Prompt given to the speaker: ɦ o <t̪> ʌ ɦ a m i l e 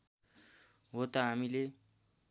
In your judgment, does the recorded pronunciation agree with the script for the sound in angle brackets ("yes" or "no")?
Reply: yes